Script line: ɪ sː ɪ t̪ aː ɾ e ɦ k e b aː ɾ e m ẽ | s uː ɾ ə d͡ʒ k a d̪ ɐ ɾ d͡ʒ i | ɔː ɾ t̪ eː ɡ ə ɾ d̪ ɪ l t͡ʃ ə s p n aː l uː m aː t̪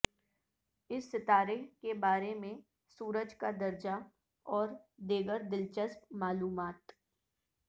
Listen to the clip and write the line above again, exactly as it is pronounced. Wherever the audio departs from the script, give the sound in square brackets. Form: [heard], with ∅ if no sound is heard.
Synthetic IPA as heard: ɪ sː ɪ t̪ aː ɾ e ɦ k e b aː ɾ e m ẽ | s uː ɾ ə d͡ʒ k a d̪ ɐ ɾ d͡ʒ [a] | ɔː ɾ [d̪] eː ɡ ə ɾ d̪ ɪ l t͡ʃ ə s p [m] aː l uː m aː t̪